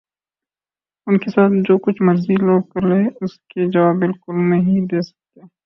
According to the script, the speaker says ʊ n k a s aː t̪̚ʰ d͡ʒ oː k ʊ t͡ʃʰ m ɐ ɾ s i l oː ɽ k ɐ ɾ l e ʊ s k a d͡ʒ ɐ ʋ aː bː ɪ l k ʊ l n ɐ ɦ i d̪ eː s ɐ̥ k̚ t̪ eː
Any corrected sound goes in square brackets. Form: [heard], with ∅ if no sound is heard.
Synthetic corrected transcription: ʊ n k [e] s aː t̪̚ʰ d͡ʒ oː k ʊ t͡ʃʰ m ɐ ɾ [z] i l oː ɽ k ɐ ɾ l e ʊ s k [e] d͡ʒ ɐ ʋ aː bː ɪ l k ʊ l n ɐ ɦ i d̪ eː s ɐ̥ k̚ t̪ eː

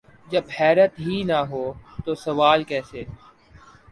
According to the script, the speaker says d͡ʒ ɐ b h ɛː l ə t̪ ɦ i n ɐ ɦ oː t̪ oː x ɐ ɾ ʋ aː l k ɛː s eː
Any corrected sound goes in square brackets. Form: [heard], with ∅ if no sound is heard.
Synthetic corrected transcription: d͡ʒ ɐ b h ɛː [ɾ] ə t̪ ɦ i n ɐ ɦ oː t̪ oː [s] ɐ [∅] ʋ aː l k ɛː s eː

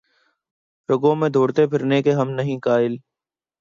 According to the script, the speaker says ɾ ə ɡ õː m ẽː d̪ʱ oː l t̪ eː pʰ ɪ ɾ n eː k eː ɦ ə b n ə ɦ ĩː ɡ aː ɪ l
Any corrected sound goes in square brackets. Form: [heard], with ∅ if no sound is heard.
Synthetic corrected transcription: ɾ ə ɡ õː m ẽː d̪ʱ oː [ɽ] t̪ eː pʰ ɪ ɾ n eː k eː ɦ ə [m] n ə ɦ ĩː [k] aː ɪ l

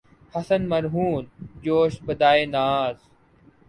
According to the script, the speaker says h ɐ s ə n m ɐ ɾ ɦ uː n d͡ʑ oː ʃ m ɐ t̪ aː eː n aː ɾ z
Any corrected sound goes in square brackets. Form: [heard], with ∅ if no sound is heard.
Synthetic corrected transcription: h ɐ s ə n m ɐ ɾ ɦ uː n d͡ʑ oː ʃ [b] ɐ [d̪] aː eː n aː [∅] z

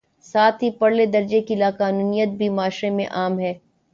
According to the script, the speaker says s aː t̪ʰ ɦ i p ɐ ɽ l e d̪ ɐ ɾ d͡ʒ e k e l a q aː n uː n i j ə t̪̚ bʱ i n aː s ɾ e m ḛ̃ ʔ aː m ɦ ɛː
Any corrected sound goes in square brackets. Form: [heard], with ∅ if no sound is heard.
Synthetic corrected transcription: s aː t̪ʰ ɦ i p ɐ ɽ l e d̪ ɐ ɾ d͡ʒ e k [i] l a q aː n uː n i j ə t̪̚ bʱ i [m] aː [ʃ] ɾ e m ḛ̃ ʔ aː m ɦ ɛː

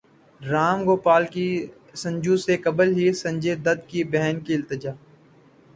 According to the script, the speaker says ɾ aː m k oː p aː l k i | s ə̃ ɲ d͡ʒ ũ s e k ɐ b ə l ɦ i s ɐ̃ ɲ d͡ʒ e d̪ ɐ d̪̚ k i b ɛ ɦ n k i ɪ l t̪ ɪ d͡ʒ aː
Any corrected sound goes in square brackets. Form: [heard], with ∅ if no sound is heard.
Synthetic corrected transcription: ɾ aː m [ɡ] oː p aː l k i | s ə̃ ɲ d͡ʒ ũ s e k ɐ b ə l ɦ i s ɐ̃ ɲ d͡ʒ e d̪ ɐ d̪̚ k i b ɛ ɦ n k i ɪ l t̪ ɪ d͡ʒ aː

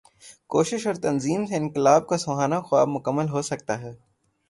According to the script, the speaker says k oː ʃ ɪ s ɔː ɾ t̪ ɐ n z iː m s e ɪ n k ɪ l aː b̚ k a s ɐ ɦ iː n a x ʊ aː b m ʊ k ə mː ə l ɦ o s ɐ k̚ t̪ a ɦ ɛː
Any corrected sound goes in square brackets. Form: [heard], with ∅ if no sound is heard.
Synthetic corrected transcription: k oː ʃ ɪ [ʃ] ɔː ɾ t̪ ɐ n z iː m s e ɪ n k ɪ l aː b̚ k a s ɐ ɦ [aː] n a x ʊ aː b m ʊ k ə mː ə l ɦ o s ɐ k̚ t̪ a ɦ ɛː

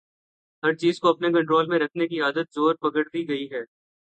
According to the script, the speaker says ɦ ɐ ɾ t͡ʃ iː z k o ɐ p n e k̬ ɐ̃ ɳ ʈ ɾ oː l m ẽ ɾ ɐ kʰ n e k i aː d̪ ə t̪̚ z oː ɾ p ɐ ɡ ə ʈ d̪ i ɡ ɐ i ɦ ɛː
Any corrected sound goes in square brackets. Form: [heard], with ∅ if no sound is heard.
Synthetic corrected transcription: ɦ ɐ ɾ t͡ʃ iː z k o ɐ p n e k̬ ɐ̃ ɳ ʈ ɾ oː l m ẽ ɾ ɐ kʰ n e k i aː d̪ ə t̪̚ z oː ɾ p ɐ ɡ ə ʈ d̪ i ɡ ɐ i ɦ ɛː

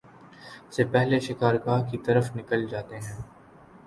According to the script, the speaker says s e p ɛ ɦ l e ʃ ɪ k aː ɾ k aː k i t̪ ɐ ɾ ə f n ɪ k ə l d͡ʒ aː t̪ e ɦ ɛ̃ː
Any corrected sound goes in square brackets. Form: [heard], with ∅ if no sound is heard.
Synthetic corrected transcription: s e p ɛ ɦ l e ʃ ɪ k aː ɾ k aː k i t̪ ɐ ɾ ə f n ɪ k ə l d͡ʒ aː t̪ e ɦ ɛ̃ː

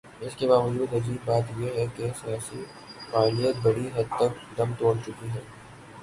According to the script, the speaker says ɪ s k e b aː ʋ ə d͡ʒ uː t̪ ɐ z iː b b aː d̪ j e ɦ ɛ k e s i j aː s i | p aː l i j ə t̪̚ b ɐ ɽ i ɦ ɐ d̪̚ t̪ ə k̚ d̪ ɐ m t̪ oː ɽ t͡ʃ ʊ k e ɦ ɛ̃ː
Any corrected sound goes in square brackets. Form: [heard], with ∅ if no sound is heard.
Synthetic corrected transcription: ɪ s k e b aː ʋ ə d͡ʒ uː [d̪] ɐ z iː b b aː [t̪] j e ɦ ɛ k e s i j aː s i | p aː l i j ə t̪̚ b ɐ ɽ i ɦ ɐ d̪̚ t̪ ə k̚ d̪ ɐ m t̪ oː ɽ t͡ʃ ʊ k [i] ɦ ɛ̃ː

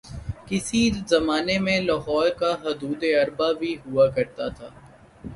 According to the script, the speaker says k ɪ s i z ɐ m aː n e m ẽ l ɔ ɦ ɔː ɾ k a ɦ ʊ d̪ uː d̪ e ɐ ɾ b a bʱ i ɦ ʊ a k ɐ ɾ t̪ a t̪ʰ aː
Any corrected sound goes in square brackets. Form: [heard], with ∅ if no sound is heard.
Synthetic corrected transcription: k ɪ s i z ɐ m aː n e m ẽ l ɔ ɦ ɔː ɾ k a ɦ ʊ d̪ uː d̪ e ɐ ɾ b a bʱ i ɦ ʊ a k ɐ ɾ t̪ a t̪ʰ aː

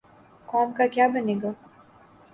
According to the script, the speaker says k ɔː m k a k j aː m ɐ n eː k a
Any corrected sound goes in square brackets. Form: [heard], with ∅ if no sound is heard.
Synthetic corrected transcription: k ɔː m k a k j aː [b] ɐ n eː [ɡ] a

